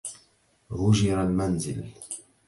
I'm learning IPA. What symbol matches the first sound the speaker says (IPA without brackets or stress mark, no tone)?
ɣ